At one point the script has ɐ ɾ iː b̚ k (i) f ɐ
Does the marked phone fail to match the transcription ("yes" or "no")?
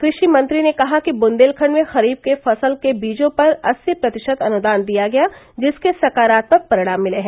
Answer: yes